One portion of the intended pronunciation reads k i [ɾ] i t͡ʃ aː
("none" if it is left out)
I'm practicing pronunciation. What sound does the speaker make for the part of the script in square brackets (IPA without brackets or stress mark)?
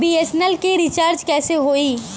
ɾ